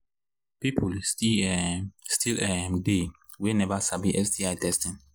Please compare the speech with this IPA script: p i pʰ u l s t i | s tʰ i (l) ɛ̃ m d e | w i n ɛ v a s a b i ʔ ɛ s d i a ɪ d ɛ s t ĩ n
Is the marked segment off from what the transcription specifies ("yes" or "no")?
no